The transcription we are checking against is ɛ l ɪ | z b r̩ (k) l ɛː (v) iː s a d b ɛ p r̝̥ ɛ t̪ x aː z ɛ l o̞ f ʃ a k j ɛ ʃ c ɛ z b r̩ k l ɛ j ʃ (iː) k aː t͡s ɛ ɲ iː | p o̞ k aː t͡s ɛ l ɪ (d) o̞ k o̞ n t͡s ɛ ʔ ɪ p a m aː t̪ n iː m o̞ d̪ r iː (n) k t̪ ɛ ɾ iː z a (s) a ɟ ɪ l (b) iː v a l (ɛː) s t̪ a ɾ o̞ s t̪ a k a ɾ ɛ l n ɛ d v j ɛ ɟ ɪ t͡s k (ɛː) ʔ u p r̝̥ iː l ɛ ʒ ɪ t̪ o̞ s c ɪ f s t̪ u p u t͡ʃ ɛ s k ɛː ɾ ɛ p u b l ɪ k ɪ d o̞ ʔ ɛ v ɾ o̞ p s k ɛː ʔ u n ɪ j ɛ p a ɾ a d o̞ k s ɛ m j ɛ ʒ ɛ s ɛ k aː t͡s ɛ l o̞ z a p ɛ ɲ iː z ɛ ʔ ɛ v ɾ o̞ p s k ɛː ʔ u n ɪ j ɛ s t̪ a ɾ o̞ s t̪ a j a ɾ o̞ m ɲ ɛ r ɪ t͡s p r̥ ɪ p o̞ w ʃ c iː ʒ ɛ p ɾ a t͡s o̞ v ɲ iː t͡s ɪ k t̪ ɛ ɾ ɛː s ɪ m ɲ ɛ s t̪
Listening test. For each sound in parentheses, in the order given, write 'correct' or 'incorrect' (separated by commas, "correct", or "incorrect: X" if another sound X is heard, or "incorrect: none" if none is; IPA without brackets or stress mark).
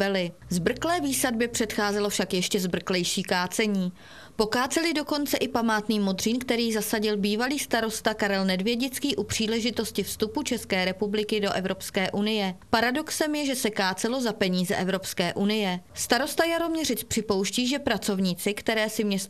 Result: correct, correct, correct, correct, correct, correct, correct, incorrect: iː, incorrect: iː